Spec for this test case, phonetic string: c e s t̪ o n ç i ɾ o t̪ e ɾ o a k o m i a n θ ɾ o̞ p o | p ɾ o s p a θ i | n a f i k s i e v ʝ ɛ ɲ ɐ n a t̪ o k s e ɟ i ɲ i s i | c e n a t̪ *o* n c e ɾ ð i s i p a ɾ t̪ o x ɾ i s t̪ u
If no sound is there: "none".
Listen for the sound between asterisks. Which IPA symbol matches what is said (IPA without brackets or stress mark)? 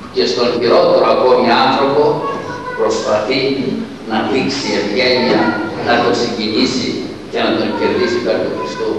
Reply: o